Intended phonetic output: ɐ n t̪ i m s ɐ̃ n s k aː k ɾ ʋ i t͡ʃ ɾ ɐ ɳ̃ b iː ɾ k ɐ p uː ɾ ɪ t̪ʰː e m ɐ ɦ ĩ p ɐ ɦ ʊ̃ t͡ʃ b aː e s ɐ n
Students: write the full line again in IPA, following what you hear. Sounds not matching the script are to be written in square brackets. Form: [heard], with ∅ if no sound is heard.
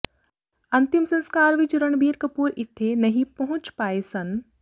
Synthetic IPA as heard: ɐ n t̪ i m s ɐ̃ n s k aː [∅] ɾ ʋ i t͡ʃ ɾ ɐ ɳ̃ b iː ɾ k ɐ p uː ɾ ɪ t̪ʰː e [n] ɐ ɦ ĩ p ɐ ɦ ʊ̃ t͡ʃ [p] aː e s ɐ n